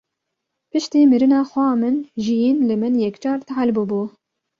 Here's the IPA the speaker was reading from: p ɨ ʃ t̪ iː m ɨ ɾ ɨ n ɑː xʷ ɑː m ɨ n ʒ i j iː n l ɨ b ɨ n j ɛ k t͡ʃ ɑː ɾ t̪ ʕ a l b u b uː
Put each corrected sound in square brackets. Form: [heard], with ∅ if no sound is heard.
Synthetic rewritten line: p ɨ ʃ t̪ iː m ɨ ɾ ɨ n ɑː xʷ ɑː m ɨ n ʒ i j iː n l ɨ [m] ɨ n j ɛ k t͡ʃ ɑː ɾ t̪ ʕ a l b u b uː